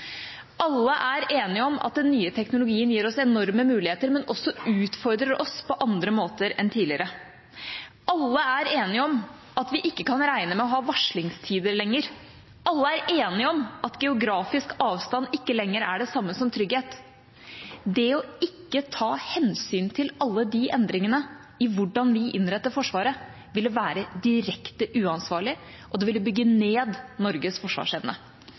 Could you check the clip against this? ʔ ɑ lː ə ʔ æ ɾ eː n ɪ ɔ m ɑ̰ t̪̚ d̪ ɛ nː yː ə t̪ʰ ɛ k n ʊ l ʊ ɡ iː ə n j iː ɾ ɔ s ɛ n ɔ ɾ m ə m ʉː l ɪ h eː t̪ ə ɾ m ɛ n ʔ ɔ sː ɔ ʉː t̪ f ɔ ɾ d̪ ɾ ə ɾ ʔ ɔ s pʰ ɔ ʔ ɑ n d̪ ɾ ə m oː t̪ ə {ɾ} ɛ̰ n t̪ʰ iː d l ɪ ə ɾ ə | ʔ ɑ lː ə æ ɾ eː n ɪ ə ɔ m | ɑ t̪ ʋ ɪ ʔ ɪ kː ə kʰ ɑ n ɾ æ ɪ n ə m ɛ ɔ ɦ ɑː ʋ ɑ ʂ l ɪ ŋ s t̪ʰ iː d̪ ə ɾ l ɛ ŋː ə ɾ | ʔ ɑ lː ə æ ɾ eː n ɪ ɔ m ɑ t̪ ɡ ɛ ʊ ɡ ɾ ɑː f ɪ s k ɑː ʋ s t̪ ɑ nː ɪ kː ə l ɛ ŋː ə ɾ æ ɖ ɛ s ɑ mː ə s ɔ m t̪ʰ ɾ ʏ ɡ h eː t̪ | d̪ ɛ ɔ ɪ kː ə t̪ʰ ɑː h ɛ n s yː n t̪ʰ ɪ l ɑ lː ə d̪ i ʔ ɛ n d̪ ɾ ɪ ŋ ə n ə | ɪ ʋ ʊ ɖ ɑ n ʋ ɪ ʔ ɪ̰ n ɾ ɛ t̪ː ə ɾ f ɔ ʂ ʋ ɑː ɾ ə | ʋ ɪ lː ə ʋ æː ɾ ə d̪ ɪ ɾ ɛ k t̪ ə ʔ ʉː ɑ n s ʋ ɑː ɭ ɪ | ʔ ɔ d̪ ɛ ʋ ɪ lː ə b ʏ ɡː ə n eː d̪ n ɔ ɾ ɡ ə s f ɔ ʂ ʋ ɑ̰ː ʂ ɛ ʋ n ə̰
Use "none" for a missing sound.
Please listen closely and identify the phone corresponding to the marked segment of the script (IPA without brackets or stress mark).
ɾ